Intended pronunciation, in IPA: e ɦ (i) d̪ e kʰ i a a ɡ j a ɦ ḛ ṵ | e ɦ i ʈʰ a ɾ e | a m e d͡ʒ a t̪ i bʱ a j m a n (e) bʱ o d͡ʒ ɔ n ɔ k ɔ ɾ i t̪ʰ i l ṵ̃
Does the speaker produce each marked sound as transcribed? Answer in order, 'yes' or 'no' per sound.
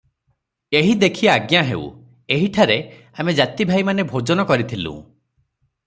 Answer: yes, yes

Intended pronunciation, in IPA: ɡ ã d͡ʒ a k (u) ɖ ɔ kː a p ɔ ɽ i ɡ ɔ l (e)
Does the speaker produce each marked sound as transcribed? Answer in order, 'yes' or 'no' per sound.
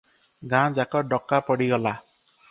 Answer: no, no

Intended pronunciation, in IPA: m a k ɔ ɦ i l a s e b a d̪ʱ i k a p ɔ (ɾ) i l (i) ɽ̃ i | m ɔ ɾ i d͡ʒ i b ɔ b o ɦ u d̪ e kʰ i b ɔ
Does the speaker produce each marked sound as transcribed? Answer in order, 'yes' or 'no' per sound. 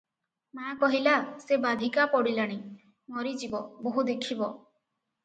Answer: no, no

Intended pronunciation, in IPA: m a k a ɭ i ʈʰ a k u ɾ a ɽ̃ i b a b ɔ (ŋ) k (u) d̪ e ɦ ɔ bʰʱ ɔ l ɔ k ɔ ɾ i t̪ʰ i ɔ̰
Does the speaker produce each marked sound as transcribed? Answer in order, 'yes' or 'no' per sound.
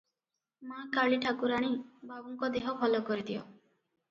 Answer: yes, no

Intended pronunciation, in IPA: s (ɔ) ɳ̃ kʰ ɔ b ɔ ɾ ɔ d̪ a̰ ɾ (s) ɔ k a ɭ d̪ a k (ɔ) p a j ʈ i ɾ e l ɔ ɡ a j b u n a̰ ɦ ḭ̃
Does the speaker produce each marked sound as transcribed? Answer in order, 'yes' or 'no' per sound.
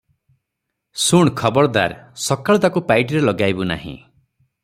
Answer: no, yes, no

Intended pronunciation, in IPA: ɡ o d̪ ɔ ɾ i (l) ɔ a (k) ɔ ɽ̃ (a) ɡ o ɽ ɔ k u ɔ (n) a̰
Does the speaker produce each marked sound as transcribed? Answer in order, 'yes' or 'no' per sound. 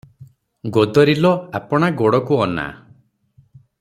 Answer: yes, no, yes, yes

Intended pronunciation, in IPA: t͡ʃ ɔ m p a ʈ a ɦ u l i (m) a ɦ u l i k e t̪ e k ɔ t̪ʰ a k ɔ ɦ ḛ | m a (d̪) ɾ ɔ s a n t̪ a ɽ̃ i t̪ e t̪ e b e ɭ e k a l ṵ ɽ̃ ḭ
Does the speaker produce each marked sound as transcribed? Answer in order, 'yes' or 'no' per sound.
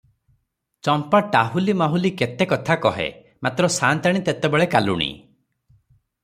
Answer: yes, no

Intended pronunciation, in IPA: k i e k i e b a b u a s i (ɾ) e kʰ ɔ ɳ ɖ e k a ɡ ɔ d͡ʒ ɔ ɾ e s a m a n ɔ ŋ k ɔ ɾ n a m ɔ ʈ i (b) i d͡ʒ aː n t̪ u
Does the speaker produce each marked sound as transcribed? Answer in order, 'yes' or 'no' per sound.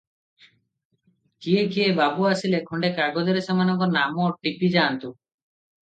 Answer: no, no

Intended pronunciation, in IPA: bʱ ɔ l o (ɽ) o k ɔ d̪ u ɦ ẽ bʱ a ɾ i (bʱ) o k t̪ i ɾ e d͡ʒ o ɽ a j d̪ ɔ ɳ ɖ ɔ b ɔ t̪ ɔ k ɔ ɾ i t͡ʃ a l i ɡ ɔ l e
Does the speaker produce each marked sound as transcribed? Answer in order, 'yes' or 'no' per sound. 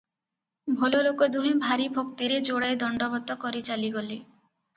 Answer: no, yes

